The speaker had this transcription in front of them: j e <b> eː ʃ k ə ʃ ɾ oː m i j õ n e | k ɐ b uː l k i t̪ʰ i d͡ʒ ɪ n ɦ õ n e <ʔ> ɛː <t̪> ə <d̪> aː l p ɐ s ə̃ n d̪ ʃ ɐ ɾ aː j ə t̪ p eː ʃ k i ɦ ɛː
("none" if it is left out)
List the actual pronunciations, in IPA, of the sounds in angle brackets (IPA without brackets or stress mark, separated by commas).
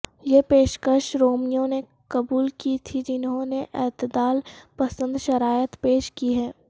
p, ʔ, t̪, d̪